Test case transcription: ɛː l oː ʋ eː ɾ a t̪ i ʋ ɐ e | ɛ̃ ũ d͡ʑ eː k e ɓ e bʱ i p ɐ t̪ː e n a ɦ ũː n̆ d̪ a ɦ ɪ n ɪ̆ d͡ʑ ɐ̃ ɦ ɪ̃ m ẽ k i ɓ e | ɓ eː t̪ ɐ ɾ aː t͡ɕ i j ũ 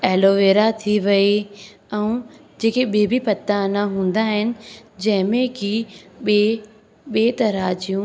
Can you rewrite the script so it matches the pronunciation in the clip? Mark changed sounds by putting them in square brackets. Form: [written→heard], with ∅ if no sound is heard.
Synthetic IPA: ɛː l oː ʋ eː ɾ a [t̪→t̪ʰ] i ʋ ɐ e | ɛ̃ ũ d͡ʑ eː k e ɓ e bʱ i p ɐ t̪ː [e→a] n a ɦ ũː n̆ d̪ a ɦ ɪ n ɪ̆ d͡ʑ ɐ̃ ɦ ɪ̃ m ẽ k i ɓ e | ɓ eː t̪ ɐ ɾ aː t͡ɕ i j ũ